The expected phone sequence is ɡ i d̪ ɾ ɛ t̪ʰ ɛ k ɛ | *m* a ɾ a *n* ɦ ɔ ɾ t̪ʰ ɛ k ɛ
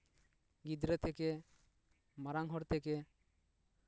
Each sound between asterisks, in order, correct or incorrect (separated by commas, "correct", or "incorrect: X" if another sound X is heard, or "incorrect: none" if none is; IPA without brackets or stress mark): correct, incorrect: ŋ